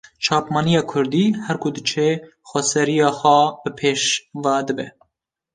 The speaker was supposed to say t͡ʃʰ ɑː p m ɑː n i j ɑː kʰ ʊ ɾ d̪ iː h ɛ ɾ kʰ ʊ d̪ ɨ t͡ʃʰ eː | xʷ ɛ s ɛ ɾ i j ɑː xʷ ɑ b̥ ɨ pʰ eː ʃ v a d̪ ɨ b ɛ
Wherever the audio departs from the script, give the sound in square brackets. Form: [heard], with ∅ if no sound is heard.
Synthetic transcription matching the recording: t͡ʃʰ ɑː p m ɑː n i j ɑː kʰ ʊ ɾ d̪ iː h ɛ ɾ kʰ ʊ d̪ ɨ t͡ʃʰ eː | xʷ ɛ s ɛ ɾ i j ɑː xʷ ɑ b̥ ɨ pʰ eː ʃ v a d̪ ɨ b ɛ